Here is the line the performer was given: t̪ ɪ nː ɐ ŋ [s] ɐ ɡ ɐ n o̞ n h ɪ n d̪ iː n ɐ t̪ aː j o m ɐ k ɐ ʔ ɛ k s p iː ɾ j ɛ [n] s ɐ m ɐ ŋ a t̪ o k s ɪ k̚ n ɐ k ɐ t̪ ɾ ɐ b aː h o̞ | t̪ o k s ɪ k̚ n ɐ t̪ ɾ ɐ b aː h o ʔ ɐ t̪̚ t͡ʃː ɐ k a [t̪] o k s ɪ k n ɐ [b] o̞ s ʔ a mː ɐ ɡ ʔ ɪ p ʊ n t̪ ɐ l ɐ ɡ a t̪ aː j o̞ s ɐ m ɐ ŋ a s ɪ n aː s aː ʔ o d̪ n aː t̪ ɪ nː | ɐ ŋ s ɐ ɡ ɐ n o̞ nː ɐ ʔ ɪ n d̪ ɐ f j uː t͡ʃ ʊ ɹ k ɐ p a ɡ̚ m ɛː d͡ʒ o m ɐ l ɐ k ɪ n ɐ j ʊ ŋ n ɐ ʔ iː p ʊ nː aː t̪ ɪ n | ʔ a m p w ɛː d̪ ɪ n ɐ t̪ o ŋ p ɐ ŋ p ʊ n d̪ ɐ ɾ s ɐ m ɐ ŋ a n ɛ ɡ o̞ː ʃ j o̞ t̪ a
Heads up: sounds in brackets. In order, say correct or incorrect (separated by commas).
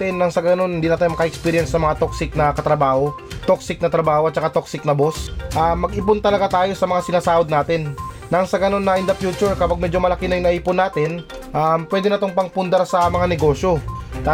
correct, correct, correct, correct